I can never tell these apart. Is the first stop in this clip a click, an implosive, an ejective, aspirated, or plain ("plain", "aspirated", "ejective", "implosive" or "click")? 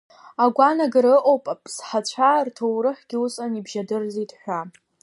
plain